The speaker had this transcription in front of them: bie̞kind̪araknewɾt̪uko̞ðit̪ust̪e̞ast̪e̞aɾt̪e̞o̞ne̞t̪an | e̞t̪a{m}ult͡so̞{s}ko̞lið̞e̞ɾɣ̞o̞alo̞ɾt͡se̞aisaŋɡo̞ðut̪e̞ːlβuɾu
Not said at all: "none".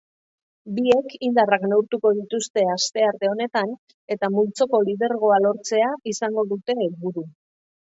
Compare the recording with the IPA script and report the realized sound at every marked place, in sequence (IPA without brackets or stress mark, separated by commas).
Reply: m, none